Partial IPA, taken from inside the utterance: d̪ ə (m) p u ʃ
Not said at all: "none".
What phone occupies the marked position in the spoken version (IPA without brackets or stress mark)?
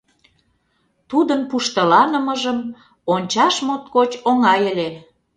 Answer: n